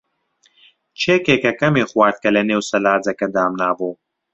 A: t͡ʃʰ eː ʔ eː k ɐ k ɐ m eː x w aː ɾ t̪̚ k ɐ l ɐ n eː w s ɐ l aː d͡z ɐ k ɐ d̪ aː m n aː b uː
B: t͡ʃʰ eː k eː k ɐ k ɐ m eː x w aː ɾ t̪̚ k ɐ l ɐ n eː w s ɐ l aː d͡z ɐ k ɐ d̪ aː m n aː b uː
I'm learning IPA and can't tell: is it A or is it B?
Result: B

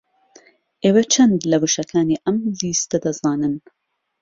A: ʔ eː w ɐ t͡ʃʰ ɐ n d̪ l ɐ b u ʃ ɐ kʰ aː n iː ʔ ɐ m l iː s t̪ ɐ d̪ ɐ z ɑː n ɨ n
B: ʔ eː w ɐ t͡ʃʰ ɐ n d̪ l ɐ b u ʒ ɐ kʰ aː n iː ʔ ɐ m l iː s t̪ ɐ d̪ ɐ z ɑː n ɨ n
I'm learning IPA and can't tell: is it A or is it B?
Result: A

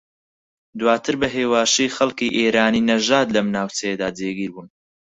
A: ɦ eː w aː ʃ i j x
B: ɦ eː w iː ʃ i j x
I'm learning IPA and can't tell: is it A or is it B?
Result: A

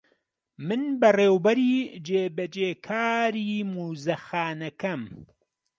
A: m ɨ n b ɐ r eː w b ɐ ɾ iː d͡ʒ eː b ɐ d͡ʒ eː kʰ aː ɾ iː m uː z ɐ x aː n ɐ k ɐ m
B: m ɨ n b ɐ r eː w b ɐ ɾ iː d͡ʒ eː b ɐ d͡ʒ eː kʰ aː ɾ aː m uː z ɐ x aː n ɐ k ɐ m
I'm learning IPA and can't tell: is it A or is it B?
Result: A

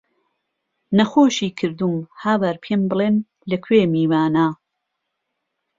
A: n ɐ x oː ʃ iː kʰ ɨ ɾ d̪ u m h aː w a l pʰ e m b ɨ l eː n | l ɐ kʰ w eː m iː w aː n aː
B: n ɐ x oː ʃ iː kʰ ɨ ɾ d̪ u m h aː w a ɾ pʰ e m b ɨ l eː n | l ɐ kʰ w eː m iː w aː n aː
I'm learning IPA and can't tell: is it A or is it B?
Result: B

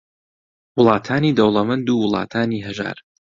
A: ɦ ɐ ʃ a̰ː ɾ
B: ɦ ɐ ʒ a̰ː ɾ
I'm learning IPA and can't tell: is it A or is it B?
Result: B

